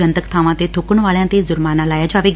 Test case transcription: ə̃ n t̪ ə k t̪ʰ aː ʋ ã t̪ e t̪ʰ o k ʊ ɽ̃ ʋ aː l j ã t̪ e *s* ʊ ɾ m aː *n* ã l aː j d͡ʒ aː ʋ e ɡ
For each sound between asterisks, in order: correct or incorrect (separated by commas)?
incorrect, correct